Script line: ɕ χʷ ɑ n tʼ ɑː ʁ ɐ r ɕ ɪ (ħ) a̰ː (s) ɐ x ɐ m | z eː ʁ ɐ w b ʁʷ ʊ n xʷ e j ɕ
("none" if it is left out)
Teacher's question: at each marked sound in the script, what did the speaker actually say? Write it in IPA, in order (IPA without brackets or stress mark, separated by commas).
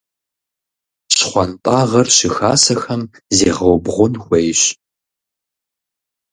x, s